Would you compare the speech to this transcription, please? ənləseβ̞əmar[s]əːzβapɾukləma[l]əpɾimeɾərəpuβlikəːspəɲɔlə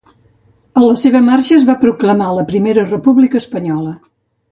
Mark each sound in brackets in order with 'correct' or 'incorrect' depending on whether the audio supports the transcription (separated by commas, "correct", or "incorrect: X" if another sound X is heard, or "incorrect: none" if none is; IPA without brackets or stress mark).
incorrect: ʃ, correct